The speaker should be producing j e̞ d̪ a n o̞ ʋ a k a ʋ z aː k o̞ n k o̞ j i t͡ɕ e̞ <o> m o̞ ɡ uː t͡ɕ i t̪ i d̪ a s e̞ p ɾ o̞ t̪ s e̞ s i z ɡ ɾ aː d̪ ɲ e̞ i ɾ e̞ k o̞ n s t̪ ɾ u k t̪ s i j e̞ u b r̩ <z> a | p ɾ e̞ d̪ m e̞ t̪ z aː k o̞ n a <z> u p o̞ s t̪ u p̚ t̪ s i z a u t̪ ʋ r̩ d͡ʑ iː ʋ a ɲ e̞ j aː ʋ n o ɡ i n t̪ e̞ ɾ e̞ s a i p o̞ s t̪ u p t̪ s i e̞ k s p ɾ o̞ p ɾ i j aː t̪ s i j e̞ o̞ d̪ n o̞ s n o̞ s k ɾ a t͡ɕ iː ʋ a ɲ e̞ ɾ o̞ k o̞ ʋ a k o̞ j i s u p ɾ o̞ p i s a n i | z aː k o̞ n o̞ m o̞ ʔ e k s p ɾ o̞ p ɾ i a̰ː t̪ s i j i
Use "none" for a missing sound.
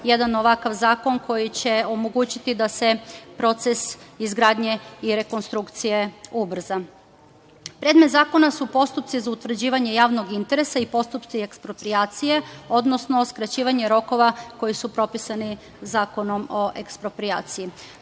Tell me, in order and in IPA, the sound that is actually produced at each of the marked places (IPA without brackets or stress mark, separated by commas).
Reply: o, z, s